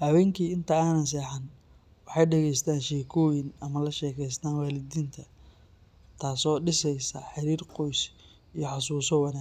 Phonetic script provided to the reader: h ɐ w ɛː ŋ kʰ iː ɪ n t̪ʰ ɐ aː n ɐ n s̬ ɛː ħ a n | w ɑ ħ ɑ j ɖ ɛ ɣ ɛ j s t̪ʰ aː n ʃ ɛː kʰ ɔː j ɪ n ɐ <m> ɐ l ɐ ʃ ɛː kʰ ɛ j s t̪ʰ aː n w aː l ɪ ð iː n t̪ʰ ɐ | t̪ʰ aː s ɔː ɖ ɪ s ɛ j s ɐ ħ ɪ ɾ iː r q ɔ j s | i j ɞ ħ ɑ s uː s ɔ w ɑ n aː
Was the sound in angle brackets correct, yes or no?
yes